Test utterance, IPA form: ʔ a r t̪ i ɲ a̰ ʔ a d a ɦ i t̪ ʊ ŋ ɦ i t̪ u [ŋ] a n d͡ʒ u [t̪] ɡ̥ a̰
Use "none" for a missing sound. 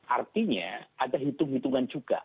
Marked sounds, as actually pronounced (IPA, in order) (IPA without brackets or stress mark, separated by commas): ŋ, none